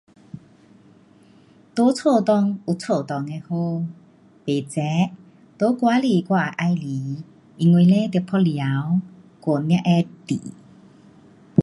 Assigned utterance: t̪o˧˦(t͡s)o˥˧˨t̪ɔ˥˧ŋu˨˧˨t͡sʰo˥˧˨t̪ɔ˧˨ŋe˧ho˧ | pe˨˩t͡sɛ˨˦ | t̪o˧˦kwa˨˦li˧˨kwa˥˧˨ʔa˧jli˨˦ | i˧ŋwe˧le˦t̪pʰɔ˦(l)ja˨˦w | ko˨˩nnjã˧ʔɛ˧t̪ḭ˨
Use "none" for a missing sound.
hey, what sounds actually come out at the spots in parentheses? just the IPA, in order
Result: t͡sʰ, l

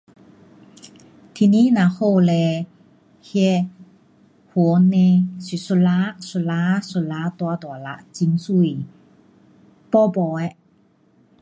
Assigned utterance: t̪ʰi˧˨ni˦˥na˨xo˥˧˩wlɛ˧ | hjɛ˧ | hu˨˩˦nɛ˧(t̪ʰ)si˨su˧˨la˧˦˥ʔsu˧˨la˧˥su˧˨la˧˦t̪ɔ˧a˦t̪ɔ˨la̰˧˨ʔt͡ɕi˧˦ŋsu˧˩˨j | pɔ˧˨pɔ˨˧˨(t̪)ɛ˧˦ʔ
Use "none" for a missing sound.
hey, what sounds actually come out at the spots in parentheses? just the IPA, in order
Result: none, none

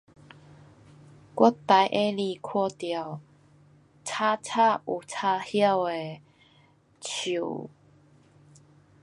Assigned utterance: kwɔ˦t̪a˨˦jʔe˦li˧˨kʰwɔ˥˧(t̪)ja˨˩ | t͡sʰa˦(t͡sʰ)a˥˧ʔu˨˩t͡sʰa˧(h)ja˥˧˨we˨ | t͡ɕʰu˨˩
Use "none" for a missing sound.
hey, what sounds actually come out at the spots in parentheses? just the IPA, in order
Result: t̪, t͡sʰ, h

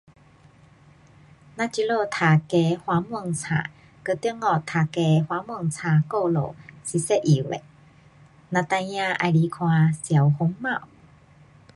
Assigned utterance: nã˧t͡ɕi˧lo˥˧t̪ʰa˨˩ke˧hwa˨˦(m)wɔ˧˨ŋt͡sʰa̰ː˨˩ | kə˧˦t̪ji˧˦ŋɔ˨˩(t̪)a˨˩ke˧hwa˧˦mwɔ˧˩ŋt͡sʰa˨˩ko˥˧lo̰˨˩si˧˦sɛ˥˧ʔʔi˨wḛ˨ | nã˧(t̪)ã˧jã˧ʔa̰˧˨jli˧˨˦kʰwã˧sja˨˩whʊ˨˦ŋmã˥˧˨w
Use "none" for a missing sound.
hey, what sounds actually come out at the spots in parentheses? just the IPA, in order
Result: m, t̪ʰ, t̪

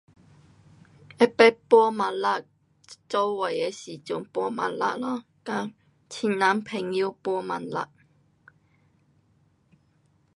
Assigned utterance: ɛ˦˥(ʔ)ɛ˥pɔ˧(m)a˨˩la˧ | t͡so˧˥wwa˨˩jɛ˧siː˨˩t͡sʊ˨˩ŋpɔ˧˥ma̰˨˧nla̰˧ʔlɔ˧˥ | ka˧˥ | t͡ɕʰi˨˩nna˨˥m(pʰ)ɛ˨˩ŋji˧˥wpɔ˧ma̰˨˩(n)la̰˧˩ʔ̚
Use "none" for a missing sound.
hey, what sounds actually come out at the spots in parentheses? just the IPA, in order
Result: p, m, pʰ, n

